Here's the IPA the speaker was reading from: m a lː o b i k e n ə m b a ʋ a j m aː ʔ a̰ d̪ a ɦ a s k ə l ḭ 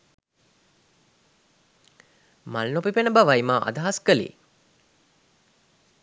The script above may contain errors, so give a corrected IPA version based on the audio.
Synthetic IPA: m a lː o p i p e n ə b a ʋ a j m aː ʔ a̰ d̪ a ɦ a s k ə l ḭ